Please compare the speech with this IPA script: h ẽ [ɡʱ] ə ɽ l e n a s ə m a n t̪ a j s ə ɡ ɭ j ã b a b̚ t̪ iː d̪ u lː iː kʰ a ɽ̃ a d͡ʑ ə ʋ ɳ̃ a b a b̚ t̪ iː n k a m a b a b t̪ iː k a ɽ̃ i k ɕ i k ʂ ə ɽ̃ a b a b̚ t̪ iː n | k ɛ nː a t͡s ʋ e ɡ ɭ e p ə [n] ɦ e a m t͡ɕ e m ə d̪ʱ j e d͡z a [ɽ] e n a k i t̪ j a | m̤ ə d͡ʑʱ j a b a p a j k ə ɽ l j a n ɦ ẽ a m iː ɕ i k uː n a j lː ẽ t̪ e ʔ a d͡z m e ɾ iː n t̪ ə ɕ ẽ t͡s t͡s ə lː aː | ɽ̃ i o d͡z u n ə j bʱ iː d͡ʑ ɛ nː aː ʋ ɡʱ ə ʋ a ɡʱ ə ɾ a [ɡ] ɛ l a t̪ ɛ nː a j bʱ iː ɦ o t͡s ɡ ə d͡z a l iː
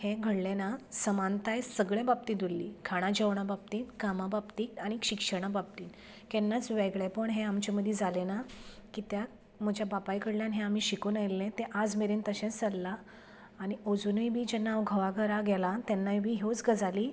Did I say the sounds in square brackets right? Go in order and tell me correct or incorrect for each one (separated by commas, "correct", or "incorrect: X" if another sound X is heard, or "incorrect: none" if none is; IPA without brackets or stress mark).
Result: correct, incorrect: ɳ, incorrect: l, correct